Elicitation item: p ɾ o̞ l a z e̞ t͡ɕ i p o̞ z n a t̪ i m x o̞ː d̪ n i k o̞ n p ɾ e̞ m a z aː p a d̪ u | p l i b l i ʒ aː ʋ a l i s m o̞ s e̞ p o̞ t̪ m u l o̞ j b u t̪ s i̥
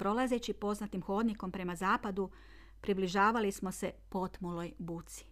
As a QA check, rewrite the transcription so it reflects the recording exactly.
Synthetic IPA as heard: p ɾ o̞ l a z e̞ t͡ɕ i p o̞ z n a t̪ i m x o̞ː d̪ n i k o̞ m p ɾ e̞ m a z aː p a d̪ u | p ɾ i b l i ʒ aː ʋ a l i s m o̞ s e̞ p o̞ t̪ m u l o̞ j b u t̪ s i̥